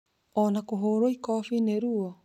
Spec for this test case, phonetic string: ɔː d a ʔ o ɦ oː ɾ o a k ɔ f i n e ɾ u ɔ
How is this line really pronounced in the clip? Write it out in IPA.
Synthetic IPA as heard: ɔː n a k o ɦ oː ɾ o i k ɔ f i n e ɾ u ɔ